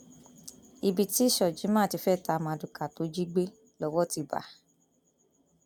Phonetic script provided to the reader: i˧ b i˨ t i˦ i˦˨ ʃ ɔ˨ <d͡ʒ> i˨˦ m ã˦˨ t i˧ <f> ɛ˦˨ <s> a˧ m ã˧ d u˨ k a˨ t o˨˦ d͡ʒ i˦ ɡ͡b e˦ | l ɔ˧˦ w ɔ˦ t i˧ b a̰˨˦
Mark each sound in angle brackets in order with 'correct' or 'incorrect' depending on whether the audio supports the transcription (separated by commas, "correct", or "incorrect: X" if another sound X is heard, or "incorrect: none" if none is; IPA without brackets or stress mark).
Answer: correct, correct, incorrect: t